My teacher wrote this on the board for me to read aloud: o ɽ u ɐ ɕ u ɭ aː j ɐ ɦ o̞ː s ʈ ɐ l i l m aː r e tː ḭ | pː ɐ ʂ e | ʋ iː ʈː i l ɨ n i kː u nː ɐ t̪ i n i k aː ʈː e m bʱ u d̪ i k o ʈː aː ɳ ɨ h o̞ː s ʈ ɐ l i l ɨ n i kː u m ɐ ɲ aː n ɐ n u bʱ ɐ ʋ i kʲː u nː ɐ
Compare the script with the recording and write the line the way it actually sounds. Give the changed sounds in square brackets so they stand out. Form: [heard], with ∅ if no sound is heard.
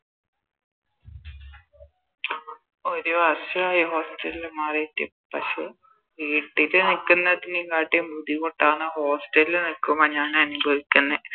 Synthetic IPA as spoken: o [ɾ] u ɐ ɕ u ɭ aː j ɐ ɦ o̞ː s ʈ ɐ l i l m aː r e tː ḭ | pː ɐ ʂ e | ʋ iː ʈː i l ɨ n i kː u nː ɐ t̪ i n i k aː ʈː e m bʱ u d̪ i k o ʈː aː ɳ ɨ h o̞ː s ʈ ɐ l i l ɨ n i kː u m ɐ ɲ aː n ɐ n u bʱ ɐ ʋ i kʲː u nː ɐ